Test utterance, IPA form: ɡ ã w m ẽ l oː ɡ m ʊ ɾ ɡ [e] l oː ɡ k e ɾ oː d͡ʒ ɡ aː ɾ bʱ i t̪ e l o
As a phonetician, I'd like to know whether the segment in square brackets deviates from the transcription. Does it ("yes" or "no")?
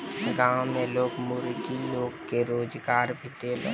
yes